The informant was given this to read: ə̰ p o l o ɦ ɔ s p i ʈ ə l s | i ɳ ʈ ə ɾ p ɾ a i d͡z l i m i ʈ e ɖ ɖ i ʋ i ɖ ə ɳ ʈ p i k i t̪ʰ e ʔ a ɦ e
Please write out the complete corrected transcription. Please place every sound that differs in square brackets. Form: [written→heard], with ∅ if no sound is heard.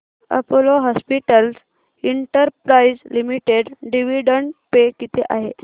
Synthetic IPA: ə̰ p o l o ɦ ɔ s p i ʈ ə l s | i ɳ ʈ ə ɾ p ɾ a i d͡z l i m i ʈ e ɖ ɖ i ʋ i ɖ ə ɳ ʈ p [i→e] k i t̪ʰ e ʔ a ɦ e